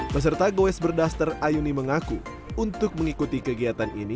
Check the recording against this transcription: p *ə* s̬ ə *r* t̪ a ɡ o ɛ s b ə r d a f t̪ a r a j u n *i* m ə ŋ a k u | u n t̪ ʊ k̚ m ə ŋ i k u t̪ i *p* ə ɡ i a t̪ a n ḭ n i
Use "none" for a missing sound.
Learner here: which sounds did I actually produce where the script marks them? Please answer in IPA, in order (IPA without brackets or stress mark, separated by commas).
ə, r, i, k